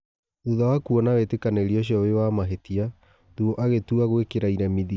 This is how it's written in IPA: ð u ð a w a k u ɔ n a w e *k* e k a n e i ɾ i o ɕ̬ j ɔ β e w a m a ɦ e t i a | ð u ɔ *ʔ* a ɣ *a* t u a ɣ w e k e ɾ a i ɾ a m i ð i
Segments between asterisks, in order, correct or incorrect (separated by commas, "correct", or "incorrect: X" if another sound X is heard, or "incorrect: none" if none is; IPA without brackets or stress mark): incorrect: t, correct, incorrect: e